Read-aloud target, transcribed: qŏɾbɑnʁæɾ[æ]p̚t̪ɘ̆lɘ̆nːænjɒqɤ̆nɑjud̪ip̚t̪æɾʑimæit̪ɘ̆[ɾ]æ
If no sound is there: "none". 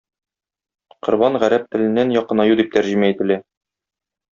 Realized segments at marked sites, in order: æ, l

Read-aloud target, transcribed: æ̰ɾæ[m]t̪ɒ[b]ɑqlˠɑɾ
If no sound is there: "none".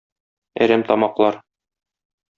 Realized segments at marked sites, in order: m, m

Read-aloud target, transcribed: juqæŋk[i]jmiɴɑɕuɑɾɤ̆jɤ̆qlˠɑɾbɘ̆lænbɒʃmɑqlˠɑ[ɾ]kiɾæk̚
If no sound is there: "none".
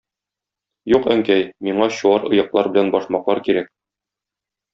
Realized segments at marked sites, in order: æ, ɾ

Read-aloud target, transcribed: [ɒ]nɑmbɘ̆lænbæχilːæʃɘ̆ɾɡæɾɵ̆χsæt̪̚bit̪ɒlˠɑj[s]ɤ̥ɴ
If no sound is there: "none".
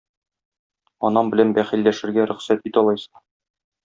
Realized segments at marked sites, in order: ɒ, s

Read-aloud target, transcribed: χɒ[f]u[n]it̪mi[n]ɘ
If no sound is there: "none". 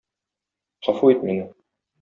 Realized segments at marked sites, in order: f, none, n

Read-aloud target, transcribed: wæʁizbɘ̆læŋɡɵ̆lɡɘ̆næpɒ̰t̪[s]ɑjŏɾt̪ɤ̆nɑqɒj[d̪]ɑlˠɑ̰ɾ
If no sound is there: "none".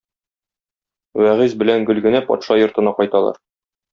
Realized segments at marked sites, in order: ʃ, t̪

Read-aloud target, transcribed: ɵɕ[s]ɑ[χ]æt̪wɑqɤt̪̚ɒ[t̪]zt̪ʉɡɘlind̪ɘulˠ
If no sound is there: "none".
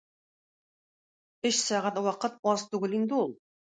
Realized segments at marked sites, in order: s, ʁ, none

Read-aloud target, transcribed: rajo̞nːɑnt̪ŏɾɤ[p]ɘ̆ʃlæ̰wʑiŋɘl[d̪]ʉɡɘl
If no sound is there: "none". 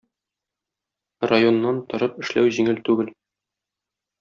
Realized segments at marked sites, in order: p, t̪

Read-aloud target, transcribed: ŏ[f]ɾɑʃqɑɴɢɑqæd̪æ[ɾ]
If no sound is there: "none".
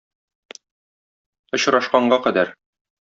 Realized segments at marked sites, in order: ɕ, ɾ

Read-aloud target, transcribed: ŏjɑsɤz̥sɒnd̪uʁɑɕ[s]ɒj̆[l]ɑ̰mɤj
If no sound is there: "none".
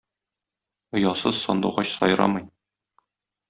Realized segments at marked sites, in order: s, ɾ

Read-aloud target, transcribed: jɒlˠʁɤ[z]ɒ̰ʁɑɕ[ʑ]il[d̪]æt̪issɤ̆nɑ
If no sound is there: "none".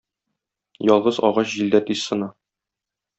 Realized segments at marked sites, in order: z, ʑ, d̪

